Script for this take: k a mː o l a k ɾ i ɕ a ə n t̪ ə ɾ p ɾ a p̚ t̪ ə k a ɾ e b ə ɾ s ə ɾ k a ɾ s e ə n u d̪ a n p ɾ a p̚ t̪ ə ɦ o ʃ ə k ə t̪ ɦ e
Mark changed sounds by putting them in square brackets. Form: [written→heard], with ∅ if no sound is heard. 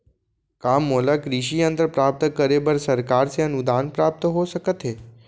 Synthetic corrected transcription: k a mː o l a k ɾ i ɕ [a→i] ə n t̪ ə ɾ p ɾ a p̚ t̪ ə k [a→ə] ɾ e b ə ɾ s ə ɾ k a ɾ s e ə n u d̪ a n p ɾ a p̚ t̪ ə ɦ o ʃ ə k ə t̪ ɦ e